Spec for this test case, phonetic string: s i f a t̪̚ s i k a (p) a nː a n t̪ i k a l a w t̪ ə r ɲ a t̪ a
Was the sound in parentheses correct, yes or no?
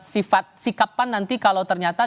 yes